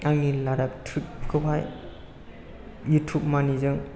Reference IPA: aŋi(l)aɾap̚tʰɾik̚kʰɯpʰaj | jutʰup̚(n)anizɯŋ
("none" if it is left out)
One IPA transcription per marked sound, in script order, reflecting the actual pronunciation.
l, m

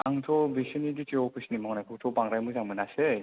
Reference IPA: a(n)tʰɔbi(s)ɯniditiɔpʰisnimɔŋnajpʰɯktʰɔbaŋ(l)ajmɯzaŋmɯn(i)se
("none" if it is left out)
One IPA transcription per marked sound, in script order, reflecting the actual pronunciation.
ŋ, s, ɾ, a

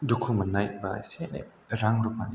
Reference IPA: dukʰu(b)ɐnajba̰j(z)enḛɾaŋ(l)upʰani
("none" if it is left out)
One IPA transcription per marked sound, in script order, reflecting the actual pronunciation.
m, s, ɾ

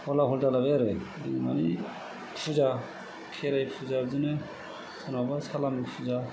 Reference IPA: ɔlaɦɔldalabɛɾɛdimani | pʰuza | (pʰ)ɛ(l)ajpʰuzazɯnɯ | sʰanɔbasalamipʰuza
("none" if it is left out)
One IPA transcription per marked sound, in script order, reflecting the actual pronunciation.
kʰ, ɾ

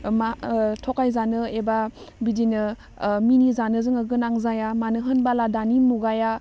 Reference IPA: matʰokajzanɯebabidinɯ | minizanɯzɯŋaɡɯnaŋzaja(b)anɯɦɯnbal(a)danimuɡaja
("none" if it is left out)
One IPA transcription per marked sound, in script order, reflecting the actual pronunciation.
m, a

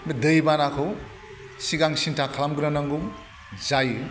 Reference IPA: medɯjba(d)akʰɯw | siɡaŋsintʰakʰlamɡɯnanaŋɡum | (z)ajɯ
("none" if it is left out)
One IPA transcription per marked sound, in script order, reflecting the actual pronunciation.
n, z

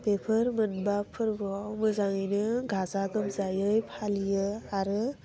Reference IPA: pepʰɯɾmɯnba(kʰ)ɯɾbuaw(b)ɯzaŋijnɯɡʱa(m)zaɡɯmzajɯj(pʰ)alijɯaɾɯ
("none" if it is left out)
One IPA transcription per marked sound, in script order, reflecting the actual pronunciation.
pʰ, m, none, pʰ

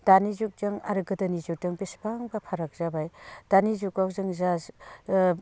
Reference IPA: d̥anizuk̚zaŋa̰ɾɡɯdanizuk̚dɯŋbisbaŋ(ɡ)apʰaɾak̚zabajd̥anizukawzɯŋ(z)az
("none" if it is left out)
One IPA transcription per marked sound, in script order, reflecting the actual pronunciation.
b, z

